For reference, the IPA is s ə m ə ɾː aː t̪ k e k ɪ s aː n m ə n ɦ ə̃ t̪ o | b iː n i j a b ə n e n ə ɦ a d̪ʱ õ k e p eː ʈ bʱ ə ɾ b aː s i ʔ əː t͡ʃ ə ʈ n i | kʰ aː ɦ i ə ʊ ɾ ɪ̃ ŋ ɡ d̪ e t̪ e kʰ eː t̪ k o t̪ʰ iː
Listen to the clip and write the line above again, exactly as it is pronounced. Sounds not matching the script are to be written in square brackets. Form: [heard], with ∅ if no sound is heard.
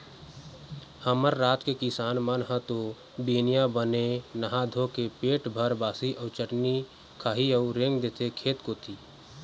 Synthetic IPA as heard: [h] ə m ə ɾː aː t̪ k e k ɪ s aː n m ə n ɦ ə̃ t̪ o | b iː n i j a b ə n e n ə ɦ a d̪ʱ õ k e p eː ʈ bʱ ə ɾ b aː s i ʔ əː t͡ʃ ə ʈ n i | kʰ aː ɦ i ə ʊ ɾ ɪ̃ ŋ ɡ d̪ e t̪ e kʰ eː t̪ k o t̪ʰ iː